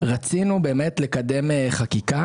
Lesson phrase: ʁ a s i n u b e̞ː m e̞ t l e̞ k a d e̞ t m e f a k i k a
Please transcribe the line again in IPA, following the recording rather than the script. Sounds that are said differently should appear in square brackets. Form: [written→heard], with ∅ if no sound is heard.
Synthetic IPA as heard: ʁ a [s→t͡s] i n u b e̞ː m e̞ t l e̞ k a d e̞ [t→∅] m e [f→χ] a k i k a